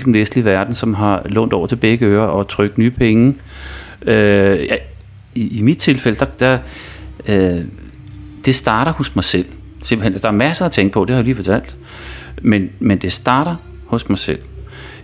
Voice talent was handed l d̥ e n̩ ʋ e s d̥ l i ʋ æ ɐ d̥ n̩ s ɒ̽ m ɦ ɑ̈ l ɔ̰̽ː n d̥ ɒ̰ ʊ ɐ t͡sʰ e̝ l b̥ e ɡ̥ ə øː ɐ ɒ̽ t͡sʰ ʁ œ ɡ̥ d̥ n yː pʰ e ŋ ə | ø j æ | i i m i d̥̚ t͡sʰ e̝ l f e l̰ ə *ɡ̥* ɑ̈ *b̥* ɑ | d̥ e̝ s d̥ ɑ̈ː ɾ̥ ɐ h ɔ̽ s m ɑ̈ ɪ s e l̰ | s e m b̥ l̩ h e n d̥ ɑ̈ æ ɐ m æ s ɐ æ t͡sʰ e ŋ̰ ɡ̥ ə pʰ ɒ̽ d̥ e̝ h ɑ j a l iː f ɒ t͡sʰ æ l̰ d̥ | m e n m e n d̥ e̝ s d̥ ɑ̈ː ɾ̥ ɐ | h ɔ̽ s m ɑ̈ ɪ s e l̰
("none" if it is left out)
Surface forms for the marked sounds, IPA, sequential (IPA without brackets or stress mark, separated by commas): d̥, d̥